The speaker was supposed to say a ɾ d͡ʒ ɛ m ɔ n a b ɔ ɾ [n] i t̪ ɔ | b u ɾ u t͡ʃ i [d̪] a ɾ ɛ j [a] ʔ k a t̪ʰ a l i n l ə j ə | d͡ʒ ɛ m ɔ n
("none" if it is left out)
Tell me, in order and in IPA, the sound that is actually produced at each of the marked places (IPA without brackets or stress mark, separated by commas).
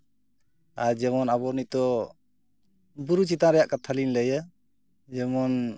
n, t̪, a